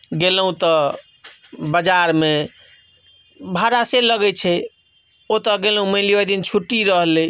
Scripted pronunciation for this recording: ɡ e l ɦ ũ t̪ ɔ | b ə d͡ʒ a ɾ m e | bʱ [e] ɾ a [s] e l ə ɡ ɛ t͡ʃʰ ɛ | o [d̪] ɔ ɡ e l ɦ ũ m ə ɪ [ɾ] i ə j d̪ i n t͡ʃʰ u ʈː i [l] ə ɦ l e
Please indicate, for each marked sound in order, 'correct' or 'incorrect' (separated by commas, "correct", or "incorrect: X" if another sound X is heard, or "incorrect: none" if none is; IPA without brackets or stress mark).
incorrect: a, correct, incorrect: t̪, incorrect: l, incorrect: ɾ